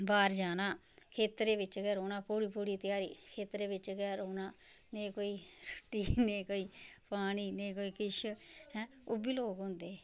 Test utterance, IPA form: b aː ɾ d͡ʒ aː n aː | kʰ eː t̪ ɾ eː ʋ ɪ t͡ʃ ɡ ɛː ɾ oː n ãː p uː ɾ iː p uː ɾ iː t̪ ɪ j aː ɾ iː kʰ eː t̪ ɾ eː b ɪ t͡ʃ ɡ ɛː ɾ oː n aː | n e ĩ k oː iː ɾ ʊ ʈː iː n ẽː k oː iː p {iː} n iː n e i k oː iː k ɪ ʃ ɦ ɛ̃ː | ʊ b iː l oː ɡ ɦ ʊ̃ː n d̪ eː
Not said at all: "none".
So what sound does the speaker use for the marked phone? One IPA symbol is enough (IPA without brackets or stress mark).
aː